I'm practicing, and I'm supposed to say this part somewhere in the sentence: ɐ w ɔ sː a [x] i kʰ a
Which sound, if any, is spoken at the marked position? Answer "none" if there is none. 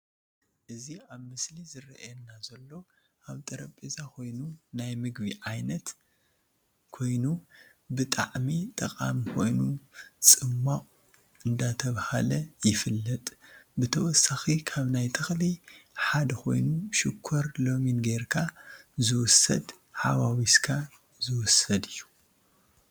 x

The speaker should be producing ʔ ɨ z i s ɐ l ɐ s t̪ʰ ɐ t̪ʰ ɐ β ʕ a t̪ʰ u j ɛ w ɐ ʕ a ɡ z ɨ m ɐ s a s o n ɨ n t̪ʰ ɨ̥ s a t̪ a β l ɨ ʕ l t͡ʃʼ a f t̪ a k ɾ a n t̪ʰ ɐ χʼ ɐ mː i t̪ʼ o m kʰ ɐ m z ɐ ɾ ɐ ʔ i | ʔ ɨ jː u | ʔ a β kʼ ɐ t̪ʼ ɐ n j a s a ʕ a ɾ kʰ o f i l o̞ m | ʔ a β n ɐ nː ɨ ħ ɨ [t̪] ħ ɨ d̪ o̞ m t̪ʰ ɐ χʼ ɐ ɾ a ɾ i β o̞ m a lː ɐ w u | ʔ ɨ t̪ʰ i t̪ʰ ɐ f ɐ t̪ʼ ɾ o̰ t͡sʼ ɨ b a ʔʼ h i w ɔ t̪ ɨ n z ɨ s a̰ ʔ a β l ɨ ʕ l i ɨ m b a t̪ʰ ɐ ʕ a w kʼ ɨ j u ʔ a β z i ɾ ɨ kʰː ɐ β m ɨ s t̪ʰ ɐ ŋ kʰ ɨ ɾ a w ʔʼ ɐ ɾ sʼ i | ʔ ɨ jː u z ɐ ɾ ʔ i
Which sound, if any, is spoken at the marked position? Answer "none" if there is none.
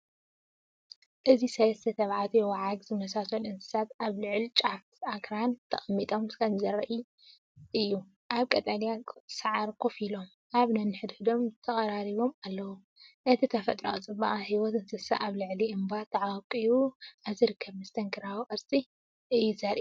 d̪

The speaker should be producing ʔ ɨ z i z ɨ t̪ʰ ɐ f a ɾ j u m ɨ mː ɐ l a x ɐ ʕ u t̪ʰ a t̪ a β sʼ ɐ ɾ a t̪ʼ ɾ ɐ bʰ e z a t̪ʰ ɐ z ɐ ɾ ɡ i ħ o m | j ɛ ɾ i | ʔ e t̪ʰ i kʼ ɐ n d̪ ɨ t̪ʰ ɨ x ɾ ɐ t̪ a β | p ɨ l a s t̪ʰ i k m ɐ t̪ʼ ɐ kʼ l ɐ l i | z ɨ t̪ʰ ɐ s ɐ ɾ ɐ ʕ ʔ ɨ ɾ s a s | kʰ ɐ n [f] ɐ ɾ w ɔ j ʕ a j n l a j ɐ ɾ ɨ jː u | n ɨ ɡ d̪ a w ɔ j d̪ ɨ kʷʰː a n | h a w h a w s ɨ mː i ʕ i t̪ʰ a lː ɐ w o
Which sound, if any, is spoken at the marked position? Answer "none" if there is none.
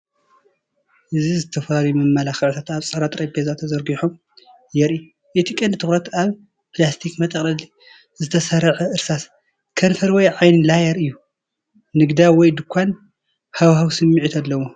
f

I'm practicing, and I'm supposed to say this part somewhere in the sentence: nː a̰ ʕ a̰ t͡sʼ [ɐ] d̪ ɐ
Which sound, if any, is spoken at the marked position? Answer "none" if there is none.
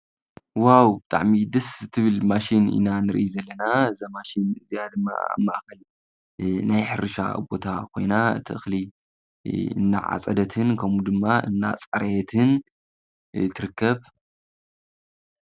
ɐ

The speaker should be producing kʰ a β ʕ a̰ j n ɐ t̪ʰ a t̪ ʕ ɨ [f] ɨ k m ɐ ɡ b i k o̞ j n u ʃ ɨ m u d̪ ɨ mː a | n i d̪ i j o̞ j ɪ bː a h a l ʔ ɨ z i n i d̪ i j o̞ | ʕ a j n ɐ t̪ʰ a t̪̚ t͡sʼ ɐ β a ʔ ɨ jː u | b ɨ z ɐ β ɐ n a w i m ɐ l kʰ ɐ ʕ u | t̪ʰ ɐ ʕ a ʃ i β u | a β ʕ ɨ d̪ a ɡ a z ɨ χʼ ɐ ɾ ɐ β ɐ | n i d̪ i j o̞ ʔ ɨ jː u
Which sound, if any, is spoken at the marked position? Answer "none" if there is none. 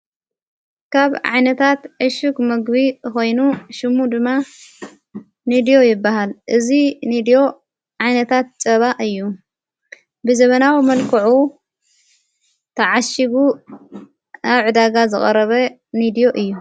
ʃ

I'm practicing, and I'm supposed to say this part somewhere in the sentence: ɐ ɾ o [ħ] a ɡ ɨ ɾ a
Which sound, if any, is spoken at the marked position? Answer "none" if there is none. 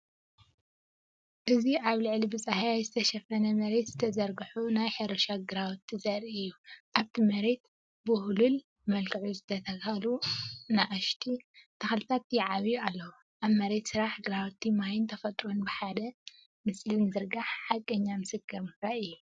ʃ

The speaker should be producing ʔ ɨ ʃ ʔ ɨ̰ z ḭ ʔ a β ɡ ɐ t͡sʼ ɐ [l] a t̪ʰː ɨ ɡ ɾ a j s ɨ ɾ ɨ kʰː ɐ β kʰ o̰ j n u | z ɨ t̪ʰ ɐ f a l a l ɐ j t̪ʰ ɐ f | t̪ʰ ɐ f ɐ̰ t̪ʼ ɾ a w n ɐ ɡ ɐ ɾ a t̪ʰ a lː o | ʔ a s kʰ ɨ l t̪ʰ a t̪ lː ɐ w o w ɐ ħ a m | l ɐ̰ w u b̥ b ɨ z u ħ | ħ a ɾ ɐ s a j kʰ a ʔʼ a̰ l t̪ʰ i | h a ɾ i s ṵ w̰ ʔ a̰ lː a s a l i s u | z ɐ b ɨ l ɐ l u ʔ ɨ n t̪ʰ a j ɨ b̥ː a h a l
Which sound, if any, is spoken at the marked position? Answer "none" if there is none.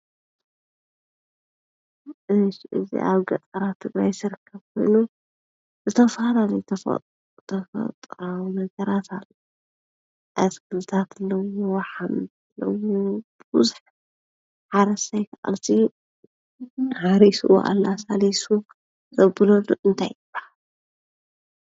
ɾ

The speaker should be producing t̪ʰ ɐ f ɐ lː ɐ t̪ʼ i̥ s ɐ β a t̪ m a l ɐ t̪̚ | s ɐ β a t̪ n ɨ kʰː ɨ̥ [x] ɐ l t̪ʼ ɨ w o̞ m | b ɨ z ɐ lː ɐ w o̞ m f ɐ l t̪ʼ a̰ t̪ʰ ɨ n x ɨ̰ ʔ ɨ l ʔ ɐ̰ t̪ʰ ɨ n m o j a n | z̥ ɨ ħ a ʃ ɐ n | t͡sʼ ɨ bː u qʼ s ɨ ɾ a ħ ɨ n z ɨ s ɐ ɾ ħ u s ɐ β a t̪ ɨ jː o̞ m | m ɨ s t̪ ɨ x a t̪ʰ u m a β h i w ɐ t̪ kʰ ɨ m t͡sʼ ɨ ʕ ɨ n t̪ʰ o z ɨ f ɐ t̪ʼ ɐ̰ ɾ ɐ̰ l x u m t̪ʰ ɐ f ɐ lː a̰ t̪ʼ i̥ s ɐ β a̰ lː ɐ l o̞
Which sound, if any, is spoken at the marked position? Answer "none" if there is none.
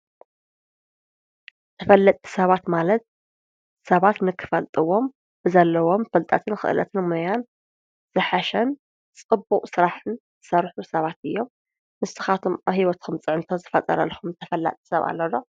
f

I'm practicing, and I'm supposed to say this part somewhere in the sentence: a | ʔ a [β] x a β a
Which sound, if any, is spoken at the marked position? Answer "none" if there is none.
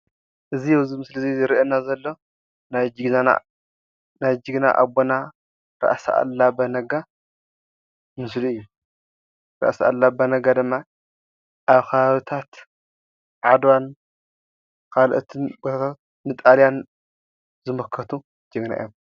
β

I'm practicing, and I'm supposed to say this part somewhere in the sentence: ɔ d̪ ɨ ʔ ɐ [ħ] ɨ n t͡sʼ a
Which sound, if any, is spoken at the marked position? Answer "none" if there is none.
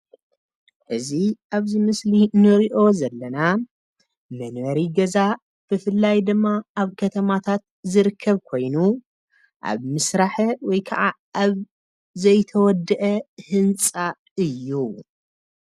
h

